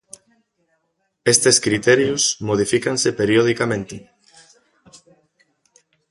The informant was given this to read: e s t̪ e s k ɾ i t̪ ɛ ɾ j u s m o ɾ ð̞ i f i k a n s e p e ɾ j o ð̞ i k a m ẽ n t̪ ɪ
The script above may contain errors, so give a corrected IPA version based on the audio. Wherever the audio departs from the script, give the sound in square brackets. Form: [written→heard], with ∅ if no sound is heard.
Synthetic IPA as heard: e s t̪ e s k ɾ i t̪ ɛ ɾ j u s m o [ɾ→∅] ð̞ i f i k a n s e p e ɾ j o ð̞ i k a m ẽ n t̪ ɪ